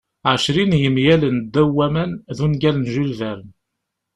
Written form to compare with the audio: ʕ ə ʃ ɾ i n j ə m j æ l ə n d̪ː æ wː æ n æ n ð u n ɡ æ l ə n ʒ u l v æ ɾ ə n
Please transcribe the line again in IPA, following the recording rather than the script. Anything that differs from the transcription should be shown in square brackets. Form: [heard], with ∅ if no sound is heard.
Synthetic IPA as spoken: ʕ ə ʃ ɾ i n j ə m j æ l ə n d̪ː æ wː æ [m] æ n ð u n ɡ æ l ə n ʒ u l v æ ɾ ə n